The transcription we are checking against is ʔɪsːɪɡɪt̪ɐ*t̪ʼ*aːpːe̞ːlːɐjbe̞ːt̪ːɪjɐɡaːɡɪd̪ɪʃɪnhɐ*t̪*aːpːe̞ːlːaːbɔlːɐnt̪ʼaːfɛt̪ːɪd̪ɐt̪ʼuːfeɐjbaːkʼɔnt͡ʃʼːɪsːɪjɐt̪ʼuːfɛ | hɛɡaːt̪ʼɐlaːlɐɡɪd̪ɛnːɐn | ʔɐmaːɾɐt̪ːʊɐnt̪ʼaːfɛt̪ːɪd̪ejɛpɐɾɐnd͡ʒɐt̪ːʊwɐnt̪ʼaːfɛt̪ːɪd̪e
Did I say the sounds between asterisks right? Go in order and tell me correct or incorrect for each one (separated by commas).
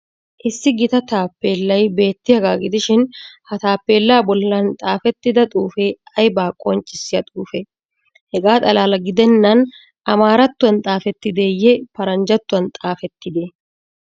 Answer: incorrect, correct